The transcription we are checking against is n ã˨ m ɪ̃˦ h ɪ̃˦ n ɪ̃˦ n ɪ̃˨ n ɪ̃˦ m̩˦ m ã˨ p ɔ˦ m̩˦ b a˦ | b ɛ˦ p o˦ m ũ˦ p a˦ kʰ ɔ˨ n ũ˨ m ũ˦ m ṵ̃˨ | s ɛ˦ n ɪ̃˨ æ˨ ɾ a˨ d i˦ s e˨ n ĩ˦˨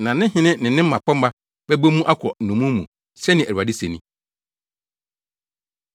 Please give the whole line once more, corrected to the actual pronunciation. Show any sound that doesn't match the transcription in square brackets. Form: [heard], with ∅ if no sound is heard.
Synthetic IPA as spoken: n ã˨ [n] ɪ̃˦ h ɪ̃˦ n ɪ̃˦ n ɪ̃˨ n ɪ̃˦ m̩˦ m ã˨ p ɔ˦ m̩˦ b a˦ | b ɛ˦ [b] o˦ m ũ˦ [ʔ] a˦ kʰ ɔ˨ n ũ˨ m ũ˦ m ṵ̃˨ | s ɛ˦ n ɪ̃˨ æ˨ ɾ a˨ d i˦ s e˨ n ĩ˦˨